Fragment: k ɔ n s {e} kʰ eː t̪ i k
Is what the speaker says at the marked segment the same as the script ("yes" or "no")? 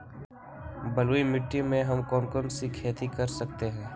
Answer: no